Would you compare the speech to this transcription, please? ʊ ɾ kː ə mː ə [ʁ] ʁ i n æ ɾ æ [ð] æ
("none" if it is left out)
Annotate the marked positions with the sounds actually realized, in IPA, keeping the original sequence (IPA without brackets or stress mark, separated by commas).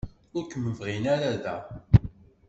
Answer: v, ð